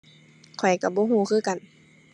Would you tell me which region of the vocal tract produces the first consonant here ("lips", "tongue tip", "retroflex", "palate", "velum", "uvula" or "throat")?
velum